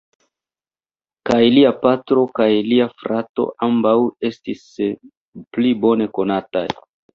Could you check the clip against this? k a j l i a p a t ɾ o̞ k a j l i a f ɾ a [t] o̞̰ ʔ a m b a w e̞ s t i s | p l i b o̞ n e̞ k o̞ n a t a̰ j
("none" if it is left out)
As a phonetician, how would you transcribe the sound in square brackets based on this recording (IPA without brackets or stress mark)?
t